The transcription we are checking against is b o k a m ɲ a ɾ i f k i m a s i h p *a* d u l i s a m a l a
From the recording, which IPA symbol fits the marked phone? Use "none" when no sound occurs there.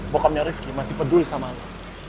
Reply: ə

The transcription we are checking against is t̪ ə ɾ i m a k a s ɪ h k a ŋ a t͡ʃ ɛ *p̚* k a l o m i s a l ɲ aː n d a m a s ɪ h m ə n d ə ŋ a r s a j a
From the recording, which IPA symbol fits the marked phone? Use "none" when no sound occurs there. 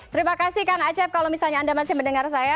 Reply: p̚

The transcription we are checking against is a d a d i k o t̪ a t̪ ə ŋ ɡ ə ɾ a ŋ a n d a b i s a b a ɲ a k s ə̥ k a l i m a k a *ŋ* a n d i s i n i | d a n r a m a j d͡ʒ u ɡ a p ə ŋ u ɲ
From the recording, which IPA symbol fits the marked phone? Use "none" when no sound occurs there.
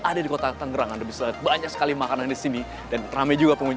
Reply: n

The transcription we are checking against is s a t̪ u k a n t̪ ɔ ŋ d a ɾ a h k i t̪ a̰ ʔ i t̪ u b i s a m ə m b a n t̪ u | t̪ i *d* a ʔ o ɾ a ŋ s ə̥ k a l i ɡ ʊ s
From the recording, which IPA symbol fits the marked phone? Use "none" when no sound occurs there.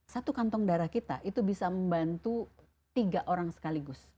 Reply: ɡ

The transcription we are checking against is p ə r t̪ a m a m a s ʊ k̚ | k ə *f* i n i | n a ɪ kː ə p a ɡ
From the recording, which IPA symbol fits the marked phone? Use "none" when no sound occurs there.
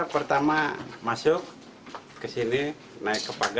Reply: s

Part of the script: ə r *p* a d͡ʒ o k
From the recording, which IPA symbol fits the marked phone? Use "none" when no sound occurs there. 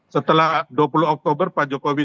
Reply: p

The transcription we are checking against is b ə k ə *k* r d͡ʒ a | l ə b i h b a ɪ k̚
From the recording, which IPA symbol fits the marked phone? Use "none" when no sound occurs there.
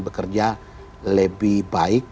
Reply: none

